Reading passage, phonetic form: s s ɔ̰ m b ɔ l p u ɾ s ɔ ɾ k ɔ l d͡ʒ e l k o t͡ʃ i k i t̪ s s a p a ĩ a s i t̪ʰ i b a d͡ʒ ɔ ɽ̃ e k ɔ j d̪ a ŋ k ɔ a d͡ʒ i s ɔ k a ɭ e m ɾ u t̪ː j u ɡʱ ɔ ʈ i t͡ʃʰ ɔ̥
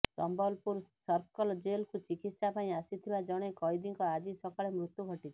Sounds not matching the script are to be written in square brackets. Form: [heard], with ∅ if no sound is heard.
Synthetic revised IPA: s s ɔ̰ m b ɔ l p u ɾ s ɔ ɾ k ɔ l d͡ʒ e l k [u] t͡ʃ i k i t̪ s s a p a ĩ a s i t̪ʰ i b a d͡ʒ ɔ ɽ̃ e k ɔ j d̪ [i] ŋ k ɔ a d͡ʒ i s ɔ k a ɭ e m ɾ u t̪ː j u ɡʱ ɔ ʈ i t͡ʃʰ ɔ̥